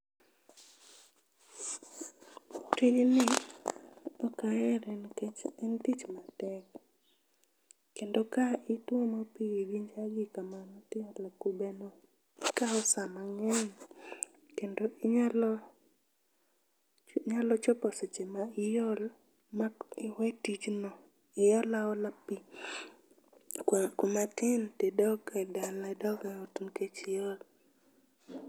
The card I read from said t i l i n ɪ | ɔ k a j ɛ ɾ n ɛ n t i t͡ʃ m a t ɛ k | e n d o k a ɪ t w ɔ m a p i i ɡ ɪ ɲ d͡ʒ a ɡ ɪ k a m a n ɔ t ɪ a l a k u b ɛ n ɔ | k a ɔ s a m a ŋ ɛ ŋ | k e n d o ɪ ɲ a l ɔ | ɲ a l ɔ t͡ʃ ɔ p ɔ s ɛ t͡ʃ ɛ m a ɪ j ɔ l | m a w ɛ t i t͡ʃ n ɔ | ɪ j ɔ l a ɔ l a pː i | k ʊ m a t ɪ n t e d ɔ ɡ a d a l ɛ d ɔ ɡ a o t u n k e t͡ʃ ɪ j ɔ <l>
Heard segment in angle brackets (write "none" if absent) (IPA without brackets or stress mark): l